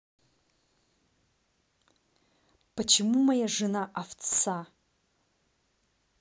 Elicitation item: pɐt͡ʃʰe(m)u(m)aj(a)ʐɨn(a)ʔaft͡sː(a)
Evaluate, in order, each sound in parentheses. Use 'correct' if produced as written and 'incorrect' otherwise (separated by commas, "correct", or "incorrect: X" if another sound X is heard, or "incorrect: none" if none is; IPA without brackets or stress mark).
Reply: correct, correct, correct, correct, correct